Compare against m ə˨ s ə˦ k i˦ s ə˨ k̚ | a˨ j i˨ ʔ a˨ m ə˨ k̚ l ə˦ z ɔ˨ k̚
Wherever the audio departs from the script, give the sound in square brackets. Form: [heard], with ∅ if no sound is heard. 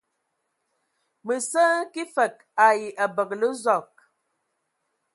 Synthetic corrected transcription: m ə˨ s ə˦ k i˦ [f] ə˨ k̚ | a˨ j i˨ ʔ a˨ [b] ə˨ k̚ l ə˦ z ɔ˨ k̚